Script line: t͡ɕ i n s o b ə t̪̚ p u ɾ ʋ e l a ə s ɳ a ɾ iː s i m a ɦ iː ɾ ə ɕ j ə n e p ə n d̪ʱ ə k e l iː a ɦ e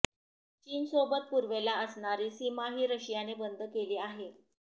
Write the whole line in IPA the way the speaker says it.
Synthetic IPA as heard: t͡ɕ iː n s o b ə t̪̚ p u ɾ ʋ e l a ə s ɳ a ɾ iː s i m a ɦ iː ɾ ə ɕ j a n e b ə n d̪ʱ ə k e l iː a ɦ e